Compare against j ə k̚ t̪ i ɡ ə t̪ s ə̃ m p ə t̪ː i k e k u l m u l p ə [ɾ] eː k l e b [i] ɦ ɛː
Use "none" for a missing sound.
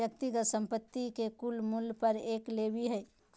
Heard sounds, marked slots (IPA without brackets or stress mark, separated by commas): ɾ, i